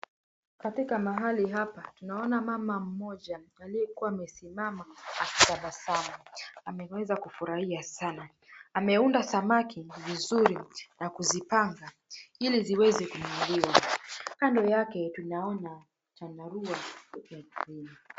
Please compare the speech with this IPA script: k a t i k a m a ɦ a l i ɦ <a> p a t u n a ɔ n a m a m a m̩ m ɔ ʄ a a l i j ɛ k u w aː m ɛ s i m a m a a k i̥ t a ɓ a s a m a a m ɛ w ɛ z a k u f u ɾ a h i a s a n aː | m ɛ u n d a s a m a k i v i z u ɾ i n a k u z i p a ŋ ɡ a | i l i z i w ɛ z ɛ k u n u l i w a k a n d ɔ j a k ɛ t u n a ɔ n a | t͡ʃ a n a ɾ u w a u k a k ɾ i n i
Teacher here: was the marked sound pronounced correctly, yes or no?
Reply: yes